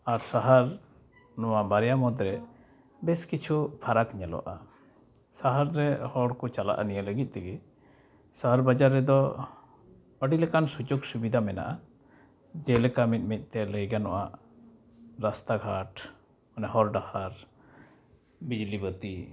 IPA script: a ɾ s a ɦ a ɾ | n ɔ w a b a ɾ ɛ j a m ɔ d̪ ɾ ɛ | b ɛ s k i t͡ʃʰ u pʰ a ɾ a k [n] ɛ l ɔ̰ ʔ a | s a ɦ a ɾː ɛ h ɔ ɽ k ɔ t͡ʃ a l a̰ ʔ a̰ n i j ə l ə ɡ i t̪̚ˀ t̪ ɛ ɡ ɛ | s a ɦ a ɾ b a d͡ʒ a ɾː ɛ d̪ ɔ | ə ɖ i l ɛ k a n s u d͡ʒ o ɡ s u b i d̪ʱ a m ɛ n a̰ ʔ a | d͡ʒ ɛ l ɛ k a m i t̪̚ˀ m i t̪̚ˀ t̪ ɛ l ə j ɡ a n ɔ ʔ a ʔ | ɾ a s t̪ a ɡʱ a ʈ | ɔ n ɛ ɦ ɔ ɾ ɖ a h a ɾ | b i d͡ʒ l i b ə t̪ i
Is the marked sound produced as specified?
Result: no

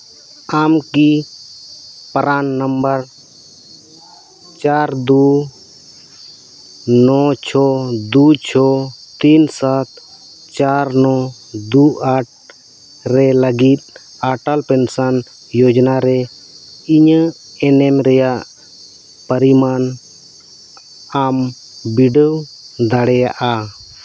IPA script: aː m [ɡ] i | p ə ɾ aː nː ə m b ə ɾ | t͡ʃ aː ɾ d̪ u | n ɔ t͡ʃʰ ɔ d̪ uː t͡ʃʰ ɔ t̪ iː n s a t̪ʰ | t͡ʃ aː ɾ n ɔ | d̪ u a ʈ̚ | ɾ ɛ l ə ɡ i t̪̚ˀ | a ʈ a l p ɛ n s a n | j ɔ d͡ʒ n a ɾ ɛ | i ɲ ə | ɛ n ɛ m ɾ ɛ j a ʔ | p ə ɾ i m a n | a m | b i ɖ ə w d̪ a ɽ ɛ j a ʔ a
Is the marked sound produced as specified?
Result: no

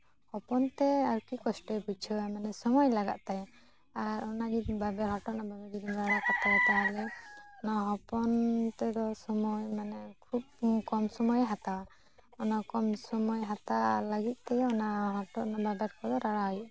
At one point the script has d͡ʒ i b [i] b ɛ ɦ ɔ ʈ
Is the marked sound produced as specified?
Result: no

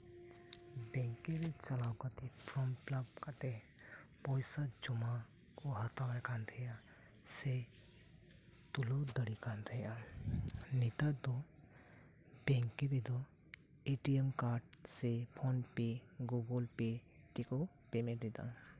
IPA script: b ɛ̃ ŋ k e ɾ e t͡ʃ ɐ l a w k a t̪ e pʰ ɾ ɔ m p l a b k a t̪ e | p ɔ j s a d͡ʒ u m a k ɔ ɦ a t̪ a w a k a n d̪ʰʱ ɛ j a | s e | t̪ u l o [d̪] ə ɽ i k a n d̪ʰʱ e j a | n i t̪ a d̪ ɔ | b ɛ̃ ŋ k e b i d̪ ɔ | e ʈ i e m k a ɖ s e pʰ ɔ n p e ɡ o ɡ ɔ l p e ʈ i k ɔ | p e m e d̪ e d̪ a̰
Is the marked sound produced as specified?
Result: yes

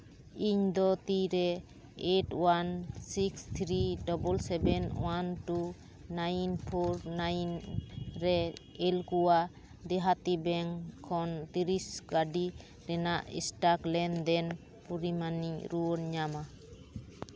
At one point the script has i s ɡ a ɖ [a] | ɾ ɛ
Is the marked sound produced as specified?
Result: no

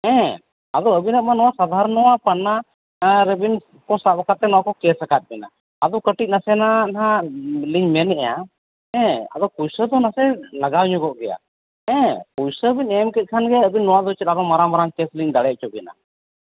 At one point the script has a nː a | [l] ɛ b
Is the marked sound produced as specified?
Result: no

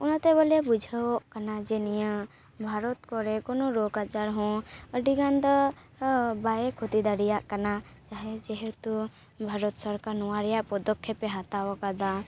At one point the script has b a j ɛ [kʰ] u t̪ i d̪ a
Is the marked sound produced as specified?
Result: yes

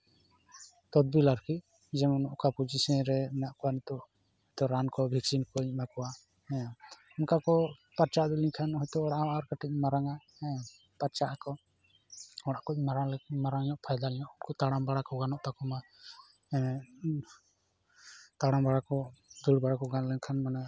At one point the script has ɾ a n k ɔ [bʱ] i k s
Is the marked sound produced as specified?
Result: yes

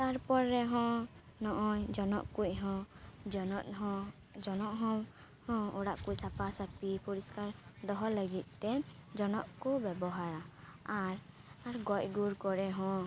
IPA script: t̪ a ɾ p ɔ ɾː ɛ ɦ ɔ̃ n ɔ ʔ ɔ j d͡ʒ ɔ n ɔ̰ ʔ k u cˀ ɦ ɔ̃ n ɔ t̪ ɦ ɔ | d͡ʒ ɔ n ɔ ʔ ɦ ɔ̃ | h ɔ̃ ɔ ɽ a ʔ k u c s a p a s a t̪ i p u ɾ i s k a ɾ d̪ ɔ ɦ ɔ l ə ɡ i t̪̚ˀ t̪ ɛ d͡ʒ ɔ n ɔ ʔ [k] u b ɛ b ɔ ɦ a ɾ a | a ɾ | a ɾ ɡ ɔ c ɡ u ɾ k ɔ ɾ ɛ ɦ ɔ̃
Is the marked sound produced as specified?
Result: yes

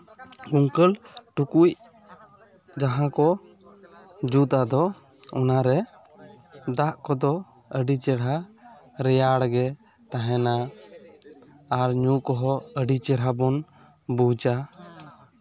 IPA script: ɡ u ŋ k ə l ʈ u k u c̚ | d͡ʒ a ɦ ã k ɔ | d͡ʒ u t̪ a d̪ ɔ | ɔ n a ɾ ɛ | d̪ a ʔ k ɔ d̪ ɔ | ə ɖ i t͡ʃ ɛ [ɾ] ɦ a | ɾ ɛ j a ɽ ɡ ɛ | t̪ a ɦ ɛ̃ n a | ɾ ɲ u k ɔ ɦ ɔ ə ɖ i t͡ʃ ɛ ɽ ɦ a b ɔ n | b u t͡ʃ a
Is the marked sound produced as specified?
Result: no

